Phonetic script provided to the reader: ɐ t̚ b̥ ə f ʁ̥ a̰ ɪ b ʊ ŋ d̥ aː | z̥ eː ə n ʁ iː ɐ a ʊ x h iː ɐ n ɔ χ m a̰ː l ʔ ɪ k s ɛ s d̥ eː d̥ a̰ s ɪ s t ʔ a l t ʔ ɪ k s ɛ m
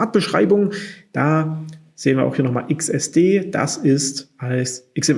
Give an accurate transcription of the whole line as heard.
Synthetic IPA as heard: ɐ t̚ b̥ ə ʃ ʁ̥ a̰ ɪ b ʊ ŋ d̥ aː | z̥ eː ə n v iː ɐ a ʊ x h iː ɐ n ɔ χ m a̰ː l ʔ ɪ k s ɛ s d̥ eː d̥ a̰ s ɪ s t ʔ a l s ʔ ɪ k s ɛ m